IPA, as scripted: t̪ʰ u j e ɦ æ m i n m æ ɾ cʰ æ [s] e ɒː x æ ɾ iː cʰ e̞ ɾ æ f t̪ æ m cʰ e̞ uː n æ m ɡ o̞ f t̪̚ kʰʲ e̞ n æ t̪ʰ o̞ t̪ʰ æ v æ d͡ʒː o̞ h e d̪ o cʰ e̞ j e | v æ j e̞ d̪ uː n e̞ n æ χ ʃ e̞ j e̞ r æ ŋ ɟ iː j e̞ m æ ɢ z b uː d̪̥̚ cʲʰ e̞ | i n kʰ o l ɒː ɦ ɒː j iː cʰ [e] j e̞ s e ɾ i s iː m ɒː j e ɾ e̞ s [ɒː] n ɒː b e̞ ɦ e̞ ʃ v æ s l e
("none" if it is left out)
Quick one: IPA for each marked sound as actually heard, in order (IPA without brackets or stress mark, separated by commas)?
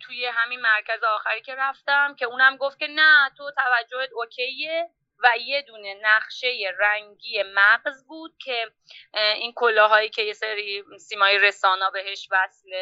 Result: z, e, ɒː